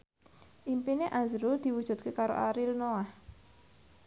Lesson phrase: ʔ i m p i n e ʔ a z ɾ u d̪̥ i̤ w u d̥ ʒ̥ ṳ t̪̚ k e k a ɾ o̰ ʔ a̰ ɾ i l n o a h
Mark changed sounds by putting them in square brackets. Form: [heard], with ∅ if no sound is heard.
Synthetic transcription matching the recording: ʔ i m p i n e ʔ a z ɾ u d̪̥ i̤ w u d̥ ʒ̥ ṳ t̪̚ k e k a ɾ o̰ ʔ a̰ ɾ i l n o a h